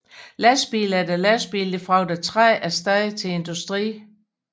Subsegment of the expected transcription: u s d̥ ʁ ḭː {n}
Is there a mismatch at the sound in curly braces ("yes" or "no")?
yes